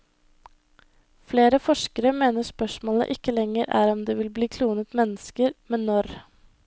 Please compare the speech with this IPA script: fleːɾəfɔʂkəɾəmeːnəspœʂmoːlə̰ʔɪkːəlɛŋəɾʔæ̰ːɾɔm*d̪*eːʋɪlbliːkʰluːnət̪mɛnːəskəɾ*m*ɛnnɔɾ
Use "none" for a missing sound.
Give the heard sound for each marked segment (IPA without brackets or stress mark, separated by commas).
d̪, m